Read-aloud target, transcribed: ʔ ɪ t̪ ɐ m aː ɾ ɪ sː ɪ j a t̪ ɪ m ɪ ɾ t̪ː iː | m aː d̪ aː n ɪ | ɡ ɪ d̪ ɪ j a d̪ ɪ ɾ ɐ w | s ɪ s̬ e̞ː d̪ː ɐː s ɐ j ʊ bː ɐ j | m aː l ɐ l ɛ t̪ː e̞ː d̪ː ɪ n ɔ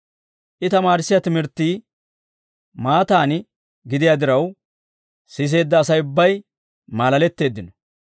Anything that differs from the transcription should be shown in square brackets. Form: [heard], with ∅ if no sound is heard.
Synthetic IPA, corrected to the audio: ʔ ɪ t̪ ɐ m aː ɾ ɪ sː ɪ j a t̪ ɪ m ɪ ɾ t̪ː iː | m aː [t̪] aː n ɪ | ɡ ɪ d̪ ɪ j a d̪ ɪ ɾ ɐ w | s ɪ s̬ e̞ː d̪ː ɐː s ɐ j ʊ bː ɐ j | m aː l ɐ l ɛ t̪ː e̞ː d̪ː ɪ n ɔ